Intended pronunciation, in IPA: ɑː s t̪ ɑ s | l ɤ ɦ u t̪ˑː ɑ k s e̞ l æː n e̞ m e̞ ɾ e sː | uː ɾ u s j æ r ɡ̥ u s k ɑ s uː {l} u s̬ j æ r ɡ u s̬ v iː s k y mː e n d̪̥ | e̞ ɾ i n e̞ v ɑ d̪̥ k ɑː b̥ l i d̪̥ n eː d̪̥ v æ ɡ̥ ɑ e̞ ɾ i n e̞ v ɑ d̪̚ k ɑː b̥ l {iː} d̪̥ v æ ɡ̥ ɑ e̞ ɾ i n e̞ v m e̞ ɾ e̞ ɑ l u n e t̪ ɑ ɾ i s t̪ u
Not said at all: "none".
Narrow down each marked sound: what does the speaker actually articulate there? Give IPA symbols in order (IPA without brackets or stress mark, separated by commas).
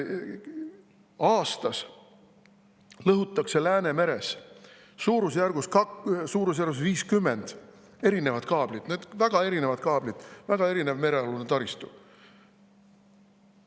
ɾ, i